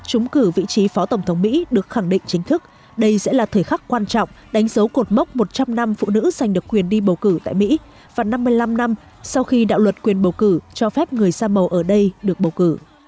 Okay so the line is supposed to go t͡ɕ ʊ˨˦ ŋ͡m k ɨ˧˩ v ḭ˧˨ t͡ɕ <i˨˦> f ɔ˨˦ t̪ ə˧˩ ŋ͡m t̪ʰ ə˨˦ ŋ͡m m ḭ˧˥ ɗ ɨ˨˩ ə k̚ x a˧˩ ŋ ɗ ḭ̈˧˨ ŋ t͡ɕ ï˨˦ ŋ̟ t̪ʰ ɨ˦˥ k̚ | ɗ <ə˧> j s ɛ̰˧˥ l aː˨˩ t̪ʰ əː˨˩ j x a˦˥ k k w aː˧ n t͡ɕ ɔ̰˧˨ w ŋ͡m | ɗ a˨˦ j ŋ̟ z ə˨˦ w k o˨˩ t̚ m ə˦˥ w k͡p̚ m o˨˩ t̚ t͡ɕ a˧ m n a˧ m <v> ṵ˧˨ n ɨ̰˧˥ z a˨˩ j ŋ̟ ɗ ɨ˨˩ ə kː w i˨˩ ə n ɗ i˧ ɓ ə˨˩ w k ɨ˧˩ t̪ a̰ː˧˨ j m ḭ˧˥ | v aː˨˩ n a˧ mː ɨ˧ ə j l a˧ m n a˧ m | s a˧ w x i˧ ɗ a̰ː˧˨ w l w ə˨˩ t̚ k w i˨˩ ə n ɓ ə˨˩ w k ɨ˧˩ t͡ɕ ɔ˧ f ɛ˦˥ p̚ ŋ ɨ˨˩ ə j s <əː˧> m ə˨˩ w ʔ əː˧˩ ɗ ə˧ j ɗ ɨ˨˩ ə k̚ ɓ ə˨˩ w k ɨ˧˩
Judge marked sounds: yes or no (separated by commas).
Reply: yes, yes, no, no